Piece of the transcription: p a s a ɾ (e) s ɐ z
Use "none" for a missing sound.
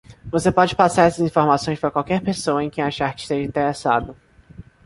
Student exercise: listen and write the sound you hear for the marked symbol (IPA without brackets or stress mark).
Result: ɛ